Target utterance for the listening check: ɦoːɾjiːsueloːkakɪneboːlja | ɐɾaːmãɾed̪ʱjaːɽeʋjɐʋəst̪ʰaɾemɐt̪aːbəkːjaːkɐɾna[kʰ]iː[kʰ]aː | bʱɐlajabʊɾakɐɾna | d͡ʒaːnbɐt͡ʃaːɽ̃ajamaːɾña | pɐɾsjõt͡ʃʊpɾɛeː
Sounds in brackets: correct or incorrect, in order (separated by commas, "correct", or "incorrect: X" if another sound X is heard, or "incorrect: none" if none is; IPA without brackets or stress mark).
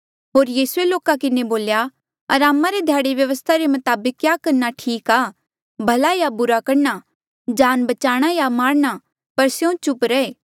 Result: incorrect: ʈʰ, incorrect: k